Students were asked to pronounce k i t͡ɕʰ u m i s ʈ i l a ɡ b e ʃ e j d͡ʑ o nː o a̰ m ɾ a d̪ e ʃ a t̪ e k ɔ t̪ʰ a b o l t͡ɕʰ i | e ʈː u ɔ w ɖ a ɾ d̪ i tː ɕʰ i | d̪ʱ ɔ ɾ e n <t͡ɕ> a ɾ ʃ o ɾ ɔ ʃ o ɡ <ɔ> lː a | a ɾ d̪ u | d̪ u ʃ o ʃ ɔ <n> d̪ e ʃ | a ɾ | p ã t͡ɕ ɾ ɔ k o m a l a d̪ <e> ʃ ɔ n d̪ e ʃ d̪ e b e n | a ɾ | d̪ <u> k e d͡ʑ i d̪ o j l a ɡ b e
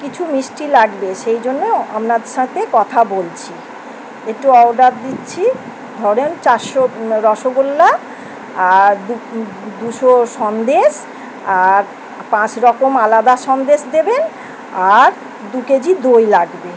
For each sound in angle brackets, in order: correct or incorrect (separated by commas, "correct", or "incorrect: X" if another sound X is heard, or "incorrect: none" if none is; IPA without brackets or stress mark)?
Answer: correct, incorrect: o, correct, incorrect: a, correct